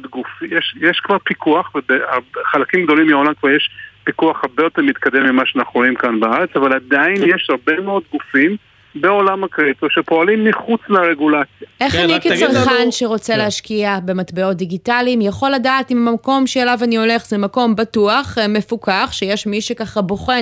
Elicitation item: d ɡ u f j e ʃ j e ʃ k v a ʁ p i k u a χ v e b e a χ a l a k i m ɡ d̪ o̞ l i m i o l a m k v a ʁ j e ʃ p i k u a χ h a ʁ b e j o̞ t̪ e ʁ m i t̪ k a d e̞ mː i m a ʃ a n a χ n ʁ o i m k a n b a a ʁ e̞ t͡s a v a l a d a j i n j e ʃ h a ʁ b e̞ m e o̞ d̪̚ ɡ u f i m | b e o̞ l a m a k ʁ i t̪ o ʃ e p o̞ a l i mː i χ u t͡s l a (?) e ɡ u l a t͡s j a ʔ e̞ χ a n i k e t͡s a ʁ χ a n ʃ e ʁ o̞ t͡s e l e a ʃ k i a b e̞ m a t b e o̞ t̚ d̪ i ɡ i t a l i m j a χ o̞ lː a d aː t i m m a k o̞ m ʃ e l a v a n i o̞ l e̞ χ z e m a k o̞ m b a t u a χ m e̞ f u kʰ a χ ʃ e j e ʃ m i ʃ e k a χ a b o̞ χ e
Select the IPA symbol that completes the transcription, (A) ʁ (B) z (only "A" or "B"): A